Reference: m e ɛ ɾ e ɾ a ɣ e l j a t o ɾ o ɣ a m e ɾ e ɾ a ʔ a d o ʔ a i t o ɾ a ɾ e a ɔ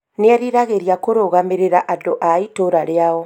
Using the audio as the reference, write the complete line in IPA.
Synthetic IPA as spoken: n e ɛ ɾ i ɾ a ɣ e ɾ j a k o ɾ o ɣ a m e ɾ e ɾ a ʔ a d o ʔ a i t o ɾ a ɾ e a ɔ